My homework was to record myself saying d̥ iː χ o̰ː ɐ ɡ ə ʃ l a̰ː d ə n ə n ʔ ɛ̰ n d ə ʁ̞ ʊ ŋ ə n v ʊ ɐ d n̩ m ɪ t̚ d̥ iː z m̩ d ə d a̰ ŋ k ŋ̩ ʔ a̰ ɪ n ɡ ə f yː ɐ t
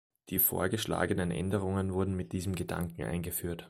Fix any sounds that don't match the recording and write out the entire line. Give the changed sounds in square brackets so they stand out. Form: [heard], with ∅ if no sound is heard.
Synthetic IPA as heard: d̥ iː [f] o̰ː ɐ ɡ ə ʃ l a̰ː [ɡ] ə n ə n ʔ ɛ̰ n d ə ʁ̞ ʊ ŋ ə n v ʊ ɐ d n̩ m ɪ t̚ d̥ iː z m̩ [ɡ] ə d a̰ ŋ k ŋ̩ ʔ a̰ ɪ n ɡ ə f yː ɐ t